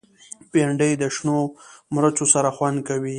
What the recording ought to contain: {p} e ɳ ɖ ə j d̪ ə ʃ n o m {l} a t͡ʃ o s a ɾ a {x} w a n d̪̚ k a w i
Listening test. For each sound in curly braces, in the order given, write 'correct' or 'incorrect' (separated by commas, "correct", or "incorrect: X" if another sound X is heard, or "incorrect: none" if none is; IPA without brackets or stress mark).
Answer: correct, incorrect: ɾ, correct